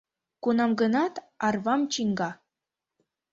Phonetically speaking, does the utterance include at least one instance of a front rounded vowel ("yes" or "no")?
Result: no